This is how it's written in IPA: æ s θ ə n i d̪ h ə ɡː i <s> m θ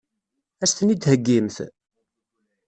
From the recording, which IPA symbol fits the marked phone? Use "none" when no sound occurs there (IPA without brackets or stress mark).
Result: none